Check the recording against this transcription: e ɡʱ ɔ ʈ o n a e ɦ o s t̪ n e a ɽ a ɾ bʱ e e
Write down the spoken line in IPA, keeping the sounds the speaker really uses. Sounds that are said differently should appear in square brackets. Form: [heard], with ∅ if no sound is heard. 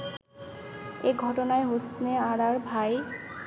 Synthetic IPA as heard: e ɡʱ ɔ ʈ o n a e ɦ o s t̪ n e a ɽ a ɾ bʱ [a] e